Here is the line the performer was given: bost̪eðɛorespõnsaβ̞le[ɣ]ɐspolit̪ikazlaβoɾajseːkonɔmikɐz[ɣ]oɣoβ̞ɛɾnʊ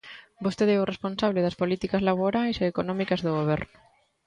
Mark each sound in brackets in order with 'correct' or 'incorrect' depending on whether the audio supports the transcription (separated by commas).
incorrect, incorrect